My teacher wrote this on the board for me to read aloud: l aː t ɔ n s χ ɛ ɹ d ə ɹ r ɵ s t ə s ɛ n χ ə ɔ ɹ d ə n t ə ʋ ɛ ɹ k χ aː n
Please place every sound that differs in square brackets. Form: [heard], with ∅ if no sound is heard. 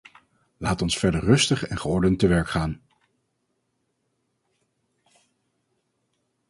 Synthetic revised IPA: l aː t ɔ n s [f] ɛ ɹ d ə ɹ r ɵ s t ə [χ] ɛ n χ ə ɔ ɹ d ə n t ə ʋ ɛ ɹ k χ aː n